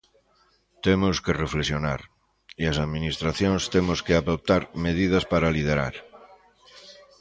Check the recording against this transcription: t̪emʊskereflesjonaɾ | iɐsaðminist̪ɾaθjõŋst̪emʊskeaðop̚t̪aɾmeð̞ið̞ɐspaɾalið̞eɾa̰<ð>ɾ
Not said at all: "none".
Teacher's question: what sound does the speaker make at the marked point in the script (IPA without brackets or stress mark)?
none